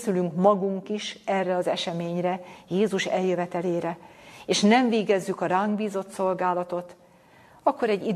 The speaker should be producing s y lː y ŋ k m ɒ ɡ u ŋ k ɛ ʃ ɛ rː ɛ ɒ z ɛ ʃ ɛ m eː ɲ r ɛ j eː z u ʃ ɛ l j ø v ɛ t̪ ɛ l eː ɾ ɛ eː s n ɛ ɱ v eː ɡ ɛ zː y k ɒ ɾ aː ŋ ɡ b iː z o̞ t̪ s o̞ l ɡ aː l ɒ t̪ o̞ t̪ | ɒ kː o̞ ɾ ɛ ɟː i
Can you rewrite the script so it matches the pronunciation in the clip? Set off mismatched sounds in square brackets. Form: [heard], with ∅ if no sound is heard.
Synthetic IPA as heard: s y [l] y ŋ k m ɒ ɡ u ŋ k [i] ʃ ɛ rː ɛ ɒ z ɛ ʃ ɛ m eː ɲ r ɛ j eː z u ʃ ɛ l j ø v ɛ t̪ ɛ l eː ɾ ɛ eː [ʃ] n ɛ ɱ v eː ɡ ɛ zː y k ɒ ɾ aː ŋ ɡ b iː z o̞ t̪ s o̞ l ɡ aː l ɒ t̪ o̞ t̪ | ɒ kː o̞ ɾ ɛ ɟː i